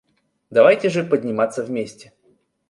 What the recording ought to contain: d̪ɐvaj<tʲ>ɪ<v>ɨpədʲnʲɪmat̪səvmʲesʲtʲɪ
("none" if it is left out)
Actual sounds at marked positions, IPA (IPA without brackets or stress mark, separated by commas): tʲ, ʐ